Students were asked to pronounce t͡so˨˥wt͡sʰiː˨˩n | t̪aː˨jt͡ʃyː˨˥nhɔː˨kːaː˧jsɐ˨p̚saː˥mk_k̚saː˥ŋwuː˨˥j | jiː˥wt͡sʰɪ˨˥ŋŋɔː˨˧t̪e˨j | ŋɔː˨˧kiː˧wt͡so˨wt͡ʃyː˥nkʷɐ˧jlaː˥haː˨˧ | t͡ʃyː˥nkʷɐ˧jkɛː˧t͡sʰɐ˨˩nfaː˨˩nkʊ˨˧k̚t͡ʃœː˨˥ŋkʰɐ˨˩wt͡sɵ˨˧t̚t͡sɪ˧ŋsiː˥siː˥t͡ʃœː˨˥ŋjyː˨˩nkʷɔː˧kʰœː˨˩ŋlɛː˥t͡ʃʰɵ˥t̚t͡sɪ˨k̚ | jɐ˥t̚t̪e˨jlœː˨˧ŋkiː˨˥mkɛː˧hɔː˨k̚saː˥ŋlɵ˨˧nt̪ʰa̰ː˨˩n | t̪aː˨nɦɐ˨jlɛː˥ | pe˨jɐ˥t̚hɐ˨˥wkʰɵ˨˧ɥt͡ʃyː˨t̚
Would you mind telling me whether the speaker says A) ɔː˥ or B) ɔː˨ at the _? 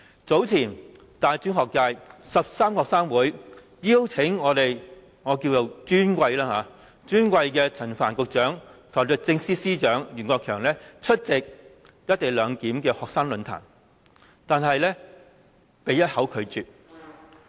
B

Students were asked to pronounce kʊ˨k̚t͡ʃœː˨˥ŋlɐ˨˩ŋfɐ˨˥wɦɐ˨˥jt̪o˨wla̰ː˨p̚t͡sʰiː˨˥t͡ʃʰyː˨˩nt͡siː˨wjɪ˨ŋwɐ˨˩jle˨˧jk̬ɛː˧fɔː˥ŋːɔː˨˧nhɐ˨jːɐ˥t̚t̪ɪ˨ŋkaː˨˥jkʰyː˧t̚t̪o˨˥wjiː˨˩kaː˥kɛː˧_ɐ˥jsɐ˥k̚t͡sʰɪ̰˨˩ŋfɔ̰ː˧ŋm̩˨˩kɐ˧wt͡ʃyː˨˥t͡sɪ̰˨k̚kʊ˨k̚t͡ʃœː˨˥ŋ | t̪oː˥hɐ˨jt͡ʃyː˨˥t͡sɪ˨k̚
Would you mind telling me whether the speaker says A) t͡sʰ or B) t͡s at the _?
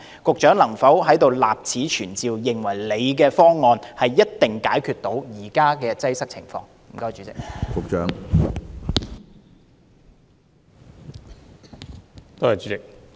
B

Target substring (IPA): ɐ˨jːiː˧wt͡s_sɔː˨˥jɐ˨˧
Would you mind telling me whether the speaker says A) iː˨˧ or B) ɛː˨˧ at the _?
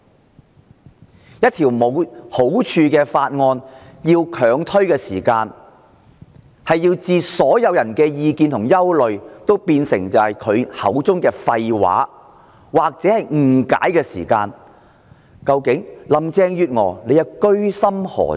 A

